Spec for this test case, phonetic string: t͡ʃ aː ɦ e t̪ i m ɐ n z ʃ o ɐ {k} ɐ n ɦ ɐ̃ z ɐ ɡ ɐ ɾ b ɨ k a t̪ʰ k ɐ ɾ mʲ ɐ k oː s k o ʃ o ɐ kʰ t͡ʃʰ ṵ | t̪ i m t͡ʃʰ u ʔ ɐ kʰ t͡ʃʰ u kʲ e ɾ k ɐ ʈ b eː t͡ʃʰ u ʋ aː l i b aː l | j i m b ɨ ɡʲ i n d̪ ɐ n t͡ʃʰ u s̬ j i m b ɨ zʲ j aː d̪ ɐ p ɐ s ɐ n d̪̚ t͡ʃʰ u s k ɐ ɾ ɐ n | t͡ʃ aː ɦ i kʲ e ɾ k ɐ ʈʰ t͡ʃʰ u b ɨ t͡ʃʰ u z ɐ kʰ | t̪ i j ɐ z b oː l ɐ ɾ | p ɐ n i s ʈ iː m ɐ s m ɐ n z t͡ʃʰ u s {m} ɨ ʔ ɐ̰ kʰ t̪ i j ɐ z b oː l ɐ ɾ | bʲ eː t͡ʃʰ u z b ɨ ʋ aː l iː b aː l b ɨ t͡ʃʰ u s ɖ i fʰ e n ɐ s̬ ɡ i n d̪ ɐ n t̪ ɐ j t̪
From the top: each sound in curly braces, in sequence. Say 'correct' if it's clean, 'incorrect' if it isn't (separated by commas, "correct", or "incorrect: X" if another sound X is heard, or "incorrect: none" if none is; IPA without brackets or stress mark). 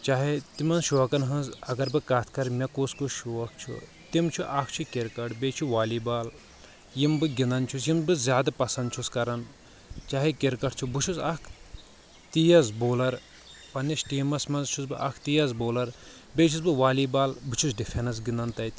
correct, incorrect: b